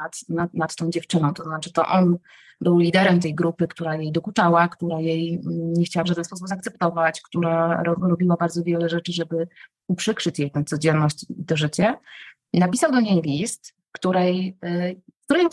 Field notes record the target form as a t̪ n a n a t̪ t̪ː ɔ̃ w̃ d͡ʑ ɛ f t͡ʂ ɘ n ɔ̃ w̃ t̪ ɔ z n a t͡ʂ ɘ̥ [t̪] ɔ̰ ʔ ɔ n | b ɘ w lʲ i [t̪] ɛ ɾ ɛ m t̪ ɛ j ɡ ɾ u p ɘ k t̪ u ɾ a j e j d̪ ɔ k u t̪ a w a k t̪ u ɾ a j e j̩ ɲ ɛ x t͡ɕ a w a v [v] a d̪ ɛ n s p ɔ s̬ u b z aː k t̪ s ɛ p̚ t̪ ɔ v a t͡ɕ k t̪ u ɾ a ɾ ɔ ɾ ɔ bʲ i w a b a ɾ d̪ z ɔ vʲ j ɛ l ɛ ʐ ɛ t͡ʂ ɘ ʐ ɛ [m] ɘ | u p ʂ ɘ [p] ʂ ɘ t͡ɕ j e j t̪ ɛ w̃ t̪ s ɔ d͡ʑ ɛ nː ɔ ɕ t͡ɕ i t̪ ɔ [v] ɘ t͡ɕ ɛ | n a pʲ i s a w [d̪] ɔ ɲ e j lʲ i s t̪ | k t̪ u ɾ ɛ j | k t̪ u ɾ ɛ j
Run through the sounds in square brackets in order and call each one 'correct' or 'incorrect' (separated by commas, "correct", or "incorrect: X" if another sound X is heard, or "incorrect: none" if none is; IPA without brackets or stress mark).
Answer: correct, incorrect: d̪, incorrect: ʐ, incorrect: b, incorrect: k, incorrect: ʐ, correct